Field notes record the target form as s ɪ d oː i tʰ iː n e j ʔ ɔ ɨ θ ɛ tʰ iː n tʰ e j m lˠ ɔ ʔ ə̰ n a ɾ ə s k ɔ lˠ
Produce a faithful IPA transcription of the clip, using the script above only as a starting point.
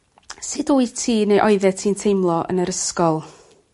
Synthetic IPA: s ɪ d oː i tʰ iː n e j ʔ ɔ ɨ ð ɛ tʰ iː n tʰ e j m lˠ ɔ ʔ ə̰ n ə ɾ ə s k ɔ lˠ